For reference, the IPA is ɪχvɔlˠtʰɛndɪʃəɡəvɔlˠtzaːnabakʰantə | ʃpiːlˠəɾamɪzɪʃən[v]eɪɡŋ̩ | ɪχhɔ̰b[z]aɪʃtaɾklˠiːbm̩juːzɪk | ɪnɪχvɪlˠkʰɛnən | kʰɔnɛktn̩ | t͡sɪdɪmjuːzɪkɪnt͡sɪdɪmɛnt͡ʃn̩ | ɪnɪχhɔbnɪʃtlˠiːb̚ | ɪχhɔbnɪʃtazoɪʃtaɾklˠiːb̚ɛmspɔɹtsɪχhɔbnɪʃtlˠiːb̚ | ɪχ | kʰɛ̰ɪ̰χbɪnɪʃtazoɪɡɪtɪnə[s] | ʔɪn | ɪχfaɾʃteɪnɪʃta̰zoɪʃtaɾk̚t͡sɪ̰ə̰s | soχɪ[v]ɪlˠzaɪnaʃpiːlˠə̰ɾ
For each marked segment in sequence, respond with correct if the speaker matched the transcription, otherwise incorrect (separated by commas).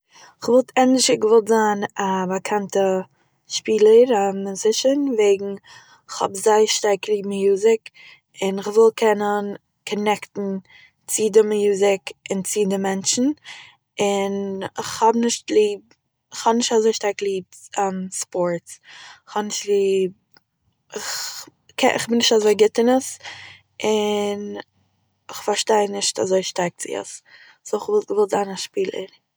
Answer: correct, correct, correct, correct